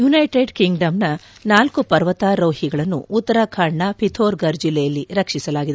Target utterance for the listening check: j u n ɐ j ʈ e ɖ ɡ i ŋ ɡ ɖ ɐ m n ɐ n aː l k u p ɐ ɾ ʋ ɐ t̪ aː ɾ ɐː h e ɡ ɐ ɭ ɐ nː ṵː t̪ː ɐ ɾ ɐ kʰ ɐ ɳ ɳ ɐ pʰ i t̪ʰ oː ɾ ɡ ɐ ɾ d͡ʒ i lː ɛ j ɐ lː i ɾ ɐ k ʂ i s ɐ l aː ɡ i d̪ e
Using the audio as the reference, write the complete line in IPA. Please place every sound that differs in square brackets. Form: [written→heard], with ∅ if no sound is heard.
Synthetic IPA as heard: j u n ɐ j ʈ e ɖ [ɡ→k] i ŋ ɡ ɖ ɐ m n ɐ n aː l k u p ɐ ɾ ʋ ɐ t̪ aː ɾ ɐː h [e→i] ɡ ɐ ɭ ɐ nː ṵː t̪ː ɐ ɾ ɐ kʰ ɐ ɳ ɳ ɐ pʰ i t̪ʰ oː ɾ ɡ ɐ ɾ d͡ʒ i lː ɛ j ɐ lː i ɾ ɐ k ʂ i s ɐ l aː ɡ i d̪ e